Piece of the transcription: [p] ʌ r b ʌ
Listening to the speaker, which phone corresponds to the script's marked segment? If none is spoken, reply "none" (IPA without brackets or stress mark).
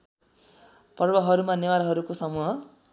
p